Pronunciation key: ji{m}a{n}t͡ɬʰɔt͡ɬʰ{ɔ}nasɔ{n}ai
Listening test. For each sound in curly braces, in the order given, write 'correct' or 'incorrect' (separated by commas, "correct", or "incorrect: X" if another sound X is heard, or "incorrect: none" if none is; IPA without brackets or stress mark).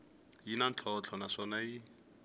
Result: incorrect: n, correct, correct, correct